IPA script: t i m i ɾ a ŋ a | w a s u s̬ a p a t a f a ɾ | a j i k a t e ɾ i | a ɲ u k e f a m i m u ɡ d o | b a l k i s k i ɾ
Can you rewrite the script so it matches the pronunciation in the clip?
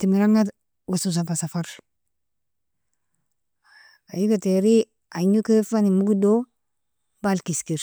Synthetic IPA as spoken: t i m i ɾ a ŋ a | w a s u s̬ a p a s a f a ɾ | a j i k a t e ɾ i | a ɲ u k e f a n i m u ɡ d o | b a l k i s k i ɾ